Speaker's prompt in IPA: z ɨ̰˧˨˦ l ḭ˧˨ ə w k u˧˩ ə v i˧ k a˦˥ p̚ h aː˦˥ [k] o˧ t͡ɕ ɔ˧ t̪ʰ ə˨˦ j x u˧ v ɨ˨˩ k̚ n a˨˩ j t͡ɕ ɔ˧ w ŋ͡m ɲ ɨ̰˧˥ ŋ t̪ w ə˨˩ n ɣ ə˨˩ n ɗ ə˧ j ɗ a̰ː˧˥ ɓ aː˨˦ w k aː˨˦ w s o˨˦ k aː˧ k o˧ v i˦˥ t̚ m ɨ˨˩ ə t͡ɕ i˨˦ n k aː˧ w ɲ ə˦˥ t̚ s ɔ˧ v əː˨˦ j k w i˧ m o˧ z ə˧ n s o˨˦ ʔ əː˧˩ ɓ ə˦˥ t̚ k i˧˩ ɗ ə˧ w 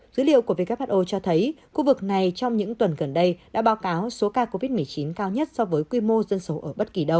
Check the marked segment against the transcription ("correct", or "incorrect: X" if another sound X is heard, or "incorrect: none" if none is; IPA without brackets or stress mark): incorrect: ʔ